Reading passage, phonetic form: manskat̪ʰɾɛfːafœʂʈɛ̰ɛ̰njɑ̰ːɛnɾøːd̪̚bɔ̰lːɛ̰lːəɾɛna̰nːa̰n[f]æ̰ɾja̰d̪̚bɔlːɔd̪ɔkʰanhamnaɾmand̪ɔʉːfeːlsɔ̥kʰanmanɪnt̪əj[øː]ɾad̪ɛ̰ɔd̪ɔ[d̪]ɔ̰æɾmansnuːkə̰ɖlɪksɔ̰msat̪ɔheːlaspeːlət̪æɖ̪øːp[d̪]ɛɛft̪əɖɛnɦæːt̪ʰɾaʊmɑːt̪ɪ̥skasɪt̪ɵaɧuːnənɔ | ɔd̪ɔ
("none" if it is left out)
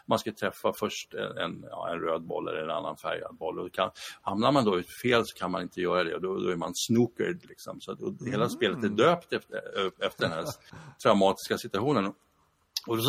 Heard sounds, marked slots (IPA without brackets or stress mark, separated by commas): f, œː, d̪, t̪